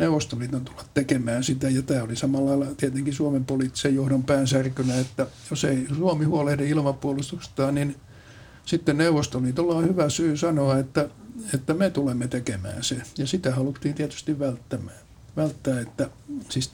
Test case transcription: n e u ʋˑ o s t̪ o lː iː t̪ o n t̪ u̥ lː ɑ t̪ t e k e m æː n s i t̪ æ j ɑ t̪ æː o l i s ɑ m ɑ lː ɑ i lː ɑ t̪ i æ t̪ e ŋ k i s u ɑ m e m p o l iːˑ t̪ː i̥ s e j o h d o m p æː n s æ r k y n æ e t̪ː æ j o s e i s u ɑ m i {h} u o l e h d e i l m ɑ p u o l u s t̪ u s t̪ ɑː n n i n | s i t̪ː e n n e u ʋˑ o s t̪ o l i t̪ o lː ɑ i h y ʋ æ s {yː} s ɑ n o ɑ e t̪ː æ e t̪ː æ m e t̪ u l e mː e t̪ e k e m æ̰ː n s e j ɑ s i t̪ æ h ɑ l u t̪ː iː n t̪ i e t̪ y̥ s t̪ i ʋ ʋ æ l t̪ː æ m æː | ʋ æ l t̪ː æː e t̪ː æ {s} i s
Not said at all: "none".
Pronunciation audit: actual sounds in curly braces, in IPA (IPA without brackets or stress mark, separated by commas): h, yː, s